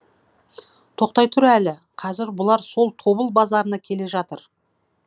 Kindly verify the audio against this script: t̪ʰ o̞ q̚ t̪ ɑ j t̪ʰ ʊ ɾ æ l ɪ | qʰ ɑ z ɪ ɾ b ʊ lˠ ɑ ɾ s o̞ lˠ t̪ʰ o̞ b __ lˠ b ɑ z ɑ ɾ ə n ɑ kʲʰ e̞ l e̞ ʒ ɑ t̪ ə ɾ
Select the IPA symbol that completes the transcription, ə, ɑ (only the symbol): ə